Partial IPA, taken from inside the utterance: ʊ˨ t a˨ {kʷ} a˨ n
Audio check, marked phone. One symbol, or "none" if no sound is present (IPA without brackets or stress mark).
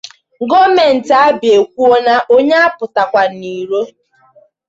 kʷ